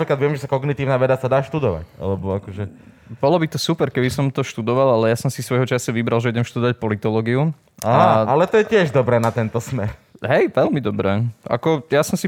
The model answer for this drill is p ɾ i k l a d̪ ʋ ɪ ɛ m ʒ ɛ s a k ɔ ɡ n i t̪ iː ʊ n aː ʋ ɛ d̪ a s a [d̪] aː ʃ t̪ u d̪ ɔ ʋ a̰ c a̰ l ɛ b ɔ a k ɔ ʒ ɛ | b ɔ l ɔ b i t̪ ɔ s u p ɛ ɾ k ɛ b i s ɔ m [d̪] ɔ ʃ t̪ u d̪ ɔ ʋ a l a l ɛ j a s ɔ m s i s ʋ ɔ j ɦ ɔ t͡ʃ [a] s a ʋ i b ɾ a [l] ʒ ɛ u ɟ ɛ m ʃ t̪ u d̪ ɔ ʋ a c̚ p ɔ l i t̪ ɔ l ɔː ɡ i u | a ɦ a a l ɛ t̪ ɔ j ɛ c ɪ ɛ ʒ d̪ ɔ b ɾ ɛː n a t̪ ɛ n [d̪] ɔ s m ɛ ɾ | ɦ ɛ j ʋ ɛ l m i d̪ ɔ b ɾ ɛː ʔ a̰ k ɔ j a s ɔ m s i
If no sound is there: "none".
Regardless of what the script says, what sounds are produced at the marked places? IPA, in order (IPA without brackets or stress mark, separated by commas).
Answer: d̪, t̪, a, l, t̪